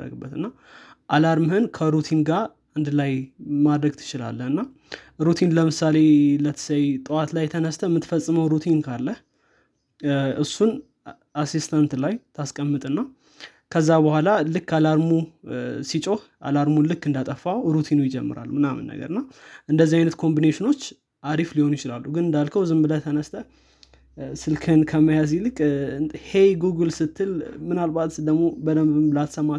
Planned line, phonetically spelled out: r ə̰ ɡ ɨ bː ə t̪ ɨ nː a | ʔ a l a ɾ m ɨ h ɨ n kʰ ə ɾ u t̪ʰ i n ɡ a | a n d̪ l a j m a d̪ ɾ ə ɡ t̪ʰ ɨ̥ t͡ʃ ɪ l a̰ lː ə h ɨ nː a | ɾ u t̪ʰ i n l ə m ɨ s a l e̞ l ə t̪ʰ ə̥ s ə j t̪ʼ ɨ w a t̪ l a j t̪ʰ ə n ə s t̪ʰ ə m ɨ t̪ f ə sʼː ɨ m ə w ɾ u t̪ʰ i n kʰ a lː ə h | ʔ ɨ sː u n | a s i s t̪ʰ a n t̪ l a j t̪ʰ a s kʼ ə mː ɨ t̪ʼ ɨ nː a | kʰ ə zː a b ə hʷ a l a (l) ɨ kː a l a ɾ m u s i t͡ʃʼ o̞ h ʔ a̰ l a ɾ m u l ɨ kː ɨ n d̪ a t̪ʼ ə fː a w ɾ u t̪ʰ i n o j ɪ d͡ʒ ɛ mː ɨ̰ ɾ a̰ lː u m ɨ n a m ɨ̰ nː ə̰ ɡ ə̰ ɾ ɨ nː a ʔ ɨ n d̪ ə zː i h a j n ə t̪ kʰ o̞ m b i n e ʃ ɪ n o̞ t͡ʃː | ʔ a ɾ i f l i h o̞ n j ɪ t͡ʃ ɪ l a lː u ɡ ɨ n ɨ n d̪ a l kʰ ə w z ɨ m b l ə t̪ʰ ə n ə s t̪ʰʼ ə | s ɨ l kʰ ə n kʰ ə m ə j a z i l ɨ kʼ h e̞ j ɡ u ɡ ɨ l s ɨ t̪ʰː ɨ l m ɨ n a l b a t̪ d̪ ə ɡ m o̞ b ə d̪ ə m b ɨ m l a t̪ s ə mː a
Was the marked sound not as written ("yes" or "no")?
no